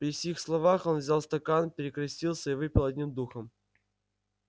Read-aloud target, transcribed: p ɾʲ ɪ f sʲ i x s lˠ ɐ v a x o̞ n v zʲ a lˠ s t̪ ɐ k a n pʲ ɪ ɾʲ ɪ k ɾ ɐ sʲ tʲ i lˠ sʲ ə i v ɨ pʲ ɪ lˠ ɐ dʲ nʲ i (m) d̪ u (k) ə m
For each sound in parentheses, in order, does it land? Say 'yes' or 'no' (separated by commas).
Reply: yes, no